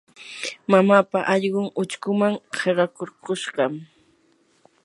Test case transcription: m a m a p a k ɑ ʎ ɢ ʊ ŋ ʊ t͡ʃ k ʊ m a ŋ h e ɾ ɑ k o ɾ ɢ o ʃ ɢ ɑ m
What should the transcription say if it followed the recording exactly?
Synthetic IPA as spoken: m a m a p a ʔ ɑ ʎ ɢ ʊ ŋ ʊ t͡ʃ k ʊ m a ŋ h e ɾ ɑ k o ɾ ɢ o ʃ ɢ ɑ m